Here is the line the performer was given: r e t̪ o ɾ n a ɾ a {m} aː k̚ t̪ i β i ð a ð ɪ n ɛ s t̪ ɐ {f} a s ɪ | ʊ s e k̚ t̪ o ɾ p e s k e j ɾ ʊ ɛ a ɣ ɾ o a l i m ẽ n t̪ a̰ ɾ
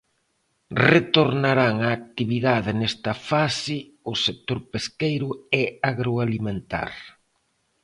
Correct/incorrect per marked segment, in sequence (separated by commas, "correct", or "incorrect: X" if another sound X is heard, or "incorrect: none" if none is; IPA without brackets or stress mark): incorrect: ŋ, correct